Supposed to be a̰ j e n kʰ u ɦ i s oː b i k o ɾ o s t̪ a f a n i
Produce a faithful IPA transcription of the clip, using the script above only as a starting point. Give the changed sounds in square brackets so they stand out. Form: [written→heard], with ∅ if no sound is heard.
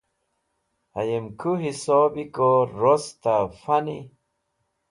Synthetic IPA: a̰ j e [n→m] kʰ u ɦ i s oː b i k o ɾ o s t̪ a f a n i